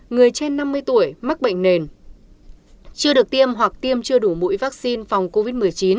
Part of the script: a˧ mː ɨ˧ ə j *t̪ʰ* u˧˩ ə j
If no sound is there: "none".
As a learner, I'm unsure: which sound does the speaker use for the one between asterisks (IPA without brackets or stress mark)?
t̪